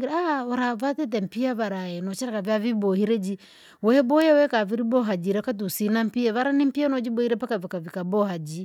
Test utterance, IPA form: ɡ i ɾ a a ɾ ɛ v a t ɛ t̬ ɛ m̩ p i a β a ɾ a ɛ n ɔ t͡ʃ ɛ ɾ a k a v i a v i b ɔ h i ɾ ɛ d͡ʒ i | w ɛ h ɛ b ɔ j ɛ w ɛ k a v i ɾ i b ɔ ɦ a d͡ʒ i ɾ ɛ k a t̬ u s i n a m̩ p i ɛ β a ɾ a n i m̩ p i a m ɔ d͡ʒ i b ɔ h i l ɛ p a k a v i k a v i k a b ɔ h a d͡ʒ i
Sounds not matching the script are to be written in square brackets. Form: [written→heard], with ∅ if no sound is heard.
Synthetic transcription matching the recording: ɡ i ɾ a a ɾ [ɛ→a] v a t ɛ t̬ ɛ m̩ p i a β a ɾ a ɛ n ɔ t͡ʃ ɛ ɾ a k a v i a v i b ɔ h i ɾ ɛ d͡ʒ i | w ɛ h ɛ b ɔ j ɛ w ɛ k a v i ɾ i b ɔ ɦ a d͡ʒ i ɾ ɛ k a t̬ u s i n a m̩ p i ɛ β a ɾ a n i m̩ p i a [m→n] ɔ d͡ʒ i b ɔ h i [l→ɾ] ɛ p a k a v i k a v i k a b ɔ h a d͡ʒ i